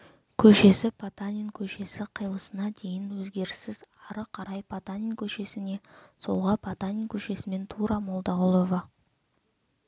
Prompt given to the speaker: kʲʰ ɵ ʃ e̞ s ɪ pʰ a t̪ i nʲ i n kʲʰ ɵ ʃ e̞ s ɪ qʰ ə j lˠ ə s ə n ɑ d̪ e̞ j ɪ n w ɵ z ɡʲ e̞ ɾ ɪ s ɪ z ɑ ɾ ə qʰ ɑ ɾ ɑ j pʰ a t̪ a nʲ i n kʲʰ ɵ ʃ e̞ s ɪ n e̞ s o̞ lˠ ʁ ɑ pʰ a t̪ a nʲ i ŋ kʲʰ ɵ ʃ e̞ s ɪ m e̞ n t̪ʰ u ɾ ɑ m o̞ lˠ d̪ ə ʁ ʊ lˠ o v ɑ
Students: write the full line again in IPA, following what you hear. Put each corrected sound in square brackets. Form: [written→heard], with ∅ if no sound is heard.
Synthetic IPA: kʲʰ ɵ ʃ e̞ s ɪ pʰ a t̪ [i→a] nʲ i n kʲʰ ɵ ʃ e̞ s ɪ qʰ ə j lˠ ə s ə n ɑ d̪ e̞ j ɪ n w ɵ z ɡʲ e̞ ɾ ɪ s ɪ z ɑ ɾ ə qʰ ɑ ɾ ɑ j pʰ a t̪ a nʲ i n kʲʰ ɵ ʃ e̞ s ɪ n e̞ s o̞ lˠ ʁ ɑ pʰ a t̪ a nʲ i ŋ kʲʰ ɵ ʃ e̞ s ɪ m e̞ n t̪ʰ u ɾ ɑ m o̞ lˠ d̪ [ə→ɑ] ʁ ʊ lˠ o v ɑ